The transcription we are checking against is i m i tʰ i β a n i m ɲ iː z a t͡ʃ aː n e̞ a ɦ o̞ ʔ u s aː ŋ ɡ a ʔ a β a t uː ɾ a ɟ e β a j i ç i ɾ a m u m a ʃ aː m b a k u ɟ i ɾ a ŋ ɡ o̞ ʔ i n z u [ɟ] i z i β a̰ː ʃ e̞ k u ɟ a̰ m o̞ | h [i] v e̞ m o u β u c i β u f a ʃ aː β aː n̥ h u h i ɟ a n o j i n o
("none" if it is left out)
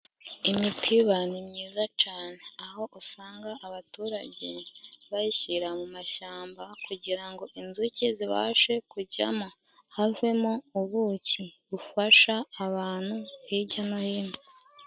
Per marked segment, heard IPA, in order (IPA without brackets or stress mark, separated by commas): c, a